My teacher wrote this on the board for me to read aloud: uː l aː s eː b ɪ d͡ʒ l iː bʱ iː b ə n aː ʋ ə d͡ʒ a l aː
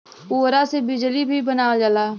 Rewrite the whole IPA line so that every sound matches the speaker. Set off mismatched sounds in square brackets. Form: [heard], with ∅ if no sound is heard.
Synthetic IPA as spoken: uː [ɾ] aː s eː b ɪ d͡ʒ l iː bʱ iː b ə n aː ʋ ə d͡ʒ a l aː